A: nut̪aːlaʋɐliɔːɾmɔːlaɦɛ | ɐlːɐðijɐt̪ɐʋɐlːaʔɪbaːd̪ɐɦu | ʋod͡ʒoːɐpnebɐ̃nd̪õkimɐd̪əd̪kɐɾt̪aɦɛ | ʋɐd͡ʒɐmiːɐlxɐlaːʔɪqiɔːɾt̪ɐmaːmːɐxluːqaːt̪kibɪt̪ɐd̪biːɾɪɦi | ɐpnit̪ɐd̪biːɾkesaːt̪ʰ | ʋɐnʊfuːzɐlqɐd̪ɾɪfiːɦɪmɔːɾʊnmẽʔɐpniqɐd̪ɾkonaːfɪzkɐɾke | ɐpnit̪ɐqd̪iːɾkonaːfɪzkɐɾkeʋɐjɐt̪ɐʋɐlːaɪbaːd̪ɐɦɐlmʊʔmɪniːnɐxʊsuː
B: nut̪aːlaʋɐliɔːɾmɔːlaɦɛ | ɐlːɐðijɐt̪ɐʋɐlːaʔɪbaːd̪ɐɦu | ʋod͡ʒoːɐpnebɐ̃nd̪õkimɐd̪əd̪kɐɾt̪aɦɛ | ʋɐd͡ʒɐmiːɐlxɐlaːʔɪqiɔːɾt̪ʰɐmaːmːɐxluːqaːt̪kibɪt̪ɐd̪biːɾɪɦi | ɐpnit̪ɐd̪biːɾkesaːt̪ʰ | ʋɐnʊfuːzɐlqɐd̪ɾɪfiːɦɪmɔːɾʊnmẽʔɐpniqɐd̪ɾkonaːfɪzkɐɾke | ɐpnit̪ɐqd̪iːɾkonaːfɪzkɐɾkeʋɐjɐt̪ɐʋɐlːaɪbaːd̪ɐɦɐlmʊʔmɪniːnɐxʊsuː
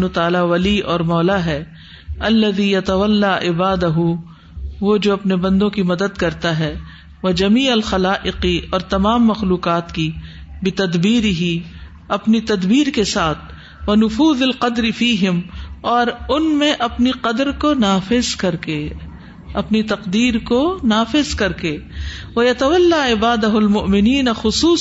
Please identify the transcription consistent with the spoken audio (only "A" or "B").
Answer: A